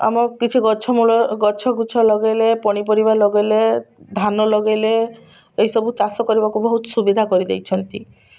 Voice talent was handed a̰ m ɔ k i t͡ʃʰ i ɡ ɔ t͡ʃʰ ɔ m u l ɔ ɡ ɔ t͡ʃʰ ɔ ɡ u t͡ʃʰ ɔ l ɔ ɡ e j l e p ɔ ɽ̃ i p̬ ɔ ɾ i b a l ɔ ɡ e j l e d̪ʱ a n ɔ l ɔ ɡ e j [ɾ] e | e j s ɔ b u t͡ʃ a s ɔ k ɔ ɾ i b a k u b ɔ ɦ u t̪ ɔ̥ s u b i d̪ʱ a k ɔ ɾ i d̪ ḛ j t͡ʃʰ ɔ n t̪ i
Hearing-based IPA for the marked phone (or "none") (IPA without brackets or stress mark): l